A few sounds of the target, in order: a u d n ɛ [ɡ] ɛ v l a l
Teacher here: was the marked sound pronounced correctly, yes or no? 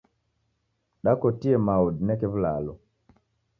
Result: no